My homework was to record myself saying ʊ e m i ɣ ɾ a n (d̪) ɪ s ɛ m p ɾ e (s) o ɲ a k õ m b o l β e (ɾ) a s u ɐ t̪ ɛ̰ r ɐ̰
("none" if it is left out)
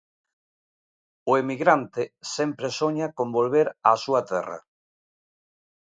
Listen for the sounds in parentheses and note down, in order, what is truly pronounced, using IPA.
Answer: t̪, s, ɾ

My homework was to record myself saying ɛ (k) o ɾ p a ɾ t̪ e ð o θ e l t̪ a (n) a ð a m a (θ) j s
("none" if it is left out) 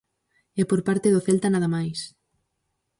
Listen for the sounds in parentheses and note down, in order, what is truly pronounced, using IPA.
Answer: p, n, none

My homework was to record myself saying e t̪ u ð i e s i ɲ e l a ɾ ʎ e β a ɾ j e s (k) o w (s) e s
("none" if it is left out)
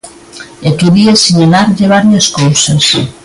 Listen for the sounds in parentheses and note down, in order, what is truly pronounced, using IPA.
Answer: k, s

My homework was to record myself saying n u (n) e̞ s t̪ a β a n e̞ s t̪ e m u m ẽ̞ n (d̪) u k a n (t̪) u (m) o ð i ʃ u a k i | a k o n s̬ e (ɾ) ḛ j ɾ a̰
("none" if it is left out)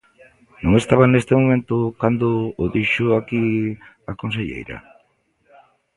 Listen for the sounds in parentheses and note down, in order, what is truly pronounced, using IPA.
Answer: ŋ, t̪, d̪, none, ʎ

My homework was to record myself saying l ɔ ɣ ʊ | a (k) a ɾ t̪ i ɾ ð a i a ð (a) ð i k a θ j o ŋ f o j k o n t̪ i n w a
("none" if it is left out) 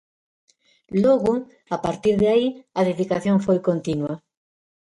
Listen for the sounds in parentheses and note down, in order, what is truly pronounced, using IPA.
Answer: p, e

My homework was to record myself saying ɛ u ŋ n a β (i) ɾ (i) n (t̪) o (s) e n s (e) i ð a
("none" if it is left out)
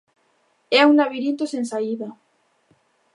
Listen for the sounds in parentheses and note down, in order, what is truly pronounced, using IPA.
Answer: i, i, t̪, s, a

